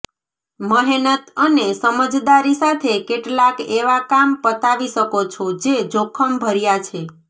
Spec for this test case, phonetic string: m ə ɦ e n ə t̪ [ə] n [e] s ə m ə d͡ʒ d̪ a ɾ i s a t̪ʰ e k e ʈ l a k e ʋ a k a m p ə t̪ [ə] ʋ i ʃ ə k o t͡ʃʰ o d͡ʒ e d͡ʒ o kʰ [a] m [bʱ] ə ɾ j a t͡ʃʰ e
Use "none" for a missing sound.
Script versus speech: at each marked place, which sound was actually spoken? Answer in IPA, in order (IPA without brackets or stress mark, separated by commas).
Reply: ə, e, a, ə, bʱ